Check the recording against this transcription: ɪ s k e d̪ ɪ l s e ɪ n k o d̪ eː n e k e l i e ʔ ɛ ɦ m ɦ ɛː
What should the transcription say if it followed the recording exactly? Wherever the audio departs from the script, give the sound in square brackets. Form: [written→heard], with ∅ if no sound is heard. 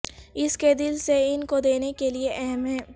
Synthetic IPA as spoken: ɪ s k e d̪ ɪ l s e ɪ n k o d̪ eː n e k e l i e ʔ ɛ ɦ m ɦ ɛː